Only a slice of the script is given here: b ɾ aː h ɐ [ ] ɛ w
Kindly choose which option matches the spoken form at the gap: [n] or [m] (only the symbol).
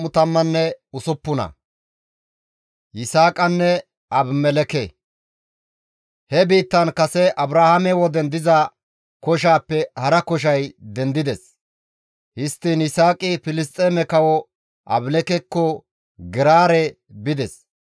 m